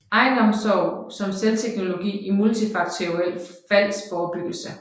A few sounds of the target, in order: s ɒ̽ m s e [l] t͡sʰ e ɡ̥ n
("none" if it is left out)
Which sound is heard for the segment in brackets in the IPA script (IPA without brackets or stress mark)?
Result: l